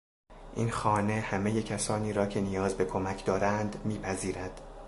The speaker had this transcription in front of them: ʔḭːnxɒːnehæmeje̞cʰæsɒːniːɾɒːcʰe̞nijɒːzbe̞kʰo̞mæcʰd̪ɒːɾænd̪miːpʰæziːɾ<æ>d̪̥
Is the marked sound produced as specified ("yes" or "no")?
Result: yes